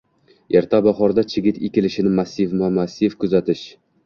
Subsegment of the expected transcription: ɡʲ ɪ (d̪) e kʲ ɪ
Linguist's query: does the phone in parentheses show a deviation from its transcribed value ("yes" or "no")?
yes